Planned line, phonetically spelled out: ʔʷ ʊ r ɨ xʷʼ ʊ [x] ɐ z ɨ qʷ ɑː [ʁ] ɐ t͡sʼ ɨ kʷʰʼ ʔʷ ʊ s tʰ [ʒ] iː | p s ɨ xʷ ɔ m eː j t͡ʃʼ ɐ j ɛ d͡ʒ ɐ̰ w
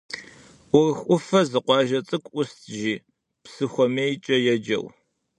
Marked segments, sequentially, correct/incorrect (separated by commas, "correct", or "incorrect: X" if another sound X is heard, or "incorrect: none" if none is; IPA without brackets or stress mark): incorrect: f, incorrect: ʒ, correct